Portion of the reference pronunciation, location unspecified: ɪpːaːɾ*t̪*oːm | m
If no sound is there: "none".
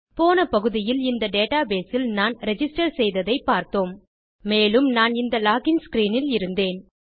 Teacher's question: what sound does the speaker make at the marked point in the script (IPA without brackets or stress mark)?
t̪